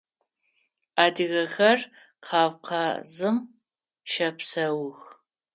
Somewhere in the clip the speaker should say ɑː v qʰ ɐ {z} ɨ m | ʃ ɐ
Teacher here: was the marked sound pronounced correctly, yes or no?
yes